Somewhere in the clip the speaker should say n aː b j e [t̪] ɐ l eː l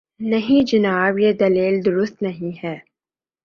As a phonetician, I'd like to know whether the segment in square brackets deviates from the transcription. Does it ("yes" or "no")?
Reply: yes